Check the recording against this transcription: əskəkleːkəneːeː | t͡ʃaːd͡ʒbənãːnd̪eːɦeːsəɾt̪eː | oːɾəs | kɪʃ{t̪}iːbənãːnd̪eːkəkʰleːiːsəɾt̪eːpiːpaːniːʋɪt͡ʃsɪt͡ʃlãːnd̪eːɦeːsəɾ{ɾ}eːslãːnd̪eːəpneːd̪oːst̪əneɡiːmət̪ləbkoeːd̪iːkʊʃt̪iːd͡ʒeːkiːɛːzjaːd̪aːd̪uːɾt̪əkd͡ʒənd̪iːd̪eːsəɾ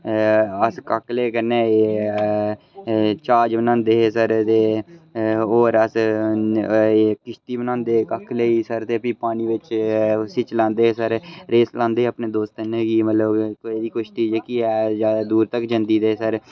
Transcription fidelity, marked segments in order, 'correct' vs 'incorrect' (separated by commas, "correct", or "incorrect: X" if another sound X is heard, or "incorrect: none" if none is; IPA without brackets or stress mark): correct, correct